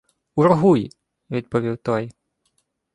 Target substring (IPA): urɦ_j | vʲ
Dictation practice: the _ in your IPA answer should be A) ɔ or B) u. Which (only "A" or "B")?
B